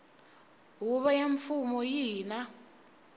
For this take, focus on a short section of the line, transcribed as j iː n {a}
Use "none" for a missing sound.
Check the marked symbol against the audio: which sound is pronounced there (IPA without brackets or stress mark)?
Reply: a